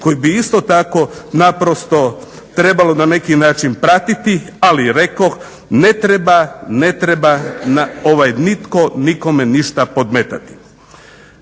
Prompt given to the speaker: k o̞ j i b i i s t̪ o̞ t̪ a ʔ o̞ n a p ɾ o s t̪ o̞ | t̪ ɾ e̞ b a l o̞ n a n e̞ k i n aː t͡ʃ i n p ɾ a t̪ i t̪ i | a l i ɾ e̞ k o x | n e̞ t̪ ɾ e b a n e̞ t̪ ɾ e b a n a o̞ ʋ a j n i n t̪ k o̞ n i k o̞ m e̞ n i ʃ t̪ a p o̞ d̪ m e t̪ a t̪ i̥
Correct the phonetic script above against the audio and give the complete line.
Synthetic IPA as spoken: k o̞ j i b i i s t̪ o̞ t̪ a k o̞ n a p ɾ o s t̪ o̞ | t̪ ɾ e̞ b a l o̞ n a n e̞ k i n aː t͡ʃ i n p ɾ a t̪ i t̪ i | a l i ɾ e̞ k o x | n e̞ t̪ ɾ e b a n e̞ t̪ ɾ e b a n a o̞ ʋ a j n i t̪ k o̞ n i k o̞ m e̞ n i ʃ t̪ a p o̞ d̪ m e t̪ a t̪ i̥